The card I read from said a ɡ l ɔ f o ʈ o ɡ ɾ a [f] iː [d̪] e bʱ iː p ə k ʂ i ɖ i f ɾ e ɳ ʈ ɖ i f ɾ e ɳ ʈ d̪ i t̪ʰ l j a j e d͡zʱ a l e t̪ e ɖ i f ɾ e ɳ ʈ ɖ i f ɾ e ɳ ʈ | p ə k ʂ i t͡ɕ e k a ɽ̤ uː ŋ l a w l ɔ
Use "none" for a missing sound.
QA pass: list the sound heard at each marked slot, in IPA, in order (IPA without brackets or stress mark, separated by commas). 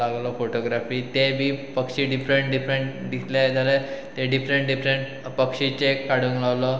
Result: f, t̪